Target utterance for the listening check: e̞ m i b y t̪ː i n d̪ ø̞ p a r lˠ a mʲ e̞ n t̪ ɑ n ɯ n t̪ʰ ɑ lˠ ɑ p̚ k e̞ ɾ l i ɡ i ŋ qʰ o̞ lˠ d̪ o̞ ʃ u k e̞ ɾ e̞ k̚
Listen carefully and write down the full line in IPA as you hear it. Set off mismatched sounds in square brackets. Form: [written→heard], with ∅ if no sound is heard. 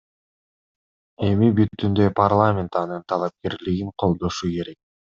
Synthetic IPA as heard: e̞ m i b y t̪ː [i→y] n d̪ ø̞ p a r lˠ a mʲ e̞ n t̪ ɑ n ɯ n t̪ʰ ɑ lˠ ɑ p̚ k e̞ ɾ l i ɡ i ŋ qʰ o̞ lˠ d̪ o̞ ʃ u k e̞ ɾ e̞ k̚